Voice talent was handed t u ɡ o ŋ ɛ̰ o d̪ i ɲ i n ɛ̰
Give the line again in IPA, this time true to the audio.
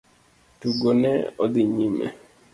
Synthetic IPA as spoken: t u ɡ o n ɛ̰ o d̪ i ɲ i m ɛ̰